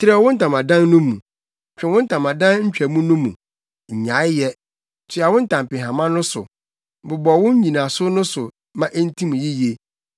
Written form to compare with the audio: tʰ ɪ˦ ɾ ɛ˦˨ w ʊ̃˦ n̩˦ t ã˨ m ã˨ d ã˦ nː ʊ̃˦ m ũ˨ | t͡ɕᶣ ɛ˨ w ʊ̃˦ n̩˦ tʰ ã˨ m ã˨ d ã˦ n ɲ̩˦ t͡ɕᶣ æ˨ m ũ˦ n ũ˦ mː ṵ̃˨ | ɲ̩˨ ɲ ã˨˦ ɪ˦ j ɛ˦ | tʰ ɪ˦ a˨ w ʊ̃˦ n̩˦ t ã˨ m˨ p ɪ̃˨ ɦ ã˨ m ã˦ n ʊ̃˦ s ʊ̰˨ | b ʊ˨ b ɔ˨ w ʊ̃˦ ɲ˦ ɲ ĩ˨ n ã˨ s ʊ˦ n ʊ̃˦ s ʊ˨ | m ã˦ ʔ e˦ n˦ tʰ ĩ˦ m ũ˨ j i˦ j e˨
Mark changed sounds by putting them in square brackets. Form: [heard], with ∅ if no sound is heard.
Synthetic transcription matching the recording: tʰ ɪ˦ ɾ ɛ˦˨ w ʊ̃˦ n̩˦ t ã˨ m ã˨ d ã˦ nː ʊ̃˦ m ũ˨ | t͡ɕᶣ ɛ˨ w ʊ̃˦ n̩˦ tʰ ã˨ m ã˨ d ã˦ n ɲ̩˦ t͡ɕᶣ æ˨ m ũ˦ n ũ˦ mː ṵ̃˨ | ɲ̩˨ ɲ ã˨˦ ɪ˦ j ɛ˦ | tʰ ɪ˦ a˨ w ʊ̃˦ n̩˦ t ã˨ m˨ p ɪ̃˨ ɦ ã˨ m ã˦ n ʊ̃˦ s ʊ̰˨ | b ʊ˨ b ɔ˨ w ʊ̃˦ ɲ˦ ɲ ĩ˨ n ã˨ s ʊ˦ n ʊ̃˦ s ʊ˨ | m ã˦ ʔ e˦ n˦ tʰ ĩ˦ m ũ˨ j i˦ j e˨